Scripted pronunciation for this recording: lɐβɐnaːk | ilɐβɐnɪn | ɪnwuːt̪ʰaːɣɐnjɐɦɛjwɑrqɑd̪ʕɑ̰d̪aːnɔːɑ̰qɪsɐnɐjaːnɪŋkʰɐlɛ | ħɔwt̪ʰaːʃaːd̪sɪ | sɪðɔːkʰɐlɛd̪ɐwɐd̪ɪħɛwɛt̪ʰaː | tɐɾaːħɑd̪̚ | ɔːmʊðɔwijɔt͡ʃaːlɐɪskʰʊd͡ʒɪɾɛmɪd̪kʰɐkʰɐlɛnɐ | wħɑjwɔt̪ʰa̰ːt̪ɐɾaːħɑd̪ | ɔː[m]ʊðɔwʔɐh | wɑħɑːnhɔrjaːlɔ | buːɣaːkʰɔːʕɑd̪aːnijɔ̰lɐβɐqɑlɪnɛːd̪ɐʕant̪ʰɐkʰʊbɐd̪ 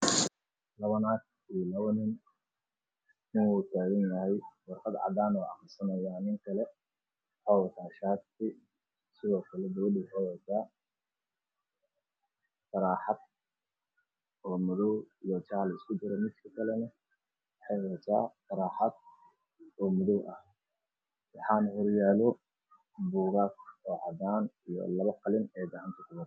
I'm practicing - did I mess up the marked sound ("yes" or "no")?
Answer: no